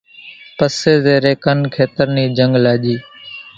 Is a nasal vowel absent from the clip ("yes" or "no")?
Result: yes